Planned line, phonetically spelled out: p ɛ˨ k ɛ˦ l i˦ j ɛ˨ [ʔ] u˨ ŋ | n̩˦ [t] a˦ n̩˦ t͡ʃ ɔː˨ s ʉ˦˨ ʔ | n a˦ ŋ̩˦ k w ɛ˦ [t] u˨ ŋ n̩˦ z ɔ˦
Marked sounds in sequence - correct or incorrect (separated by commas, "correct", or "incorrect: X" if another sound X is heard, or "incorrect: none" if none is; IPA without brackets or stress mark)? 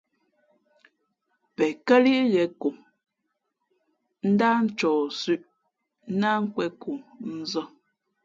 incorrect: k, incorrect: d, incorrect: k